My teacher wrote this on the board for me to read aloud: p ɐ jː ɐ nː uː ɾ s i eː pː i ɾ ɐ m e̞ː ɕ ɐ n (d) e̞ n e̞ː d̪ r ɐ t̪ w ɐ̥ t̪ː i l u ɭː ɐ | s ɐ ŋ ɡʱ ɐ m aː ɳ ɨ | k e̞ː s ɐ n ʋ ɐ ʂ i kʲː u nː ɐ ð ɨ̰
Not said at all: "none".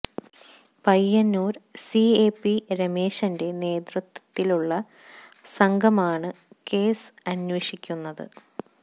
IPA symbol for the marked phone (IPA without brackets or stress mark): d